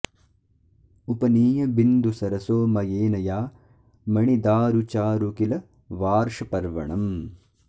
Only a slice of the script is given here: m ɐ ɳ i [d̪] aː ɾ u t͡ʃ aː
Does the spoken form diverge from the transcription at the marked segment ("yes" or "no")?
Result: no